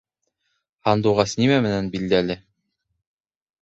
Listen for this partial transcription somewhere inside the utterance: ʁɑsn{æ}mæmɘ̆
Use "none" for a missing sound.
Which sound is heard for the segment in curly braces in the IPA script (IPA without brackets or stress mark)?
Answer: i